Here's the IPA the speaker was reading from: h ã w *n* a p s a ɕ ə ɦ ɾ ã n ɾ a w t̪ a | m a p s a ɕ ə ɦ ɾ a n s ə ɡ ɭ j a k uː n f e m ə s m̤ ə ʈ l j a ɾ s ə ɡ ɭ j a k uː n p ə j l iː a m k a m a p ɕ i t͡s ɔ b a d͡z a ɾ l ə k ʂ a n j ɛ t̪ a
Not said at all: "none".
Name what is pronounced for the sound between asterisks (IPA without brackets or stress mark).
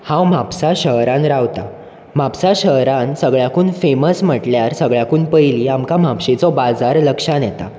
m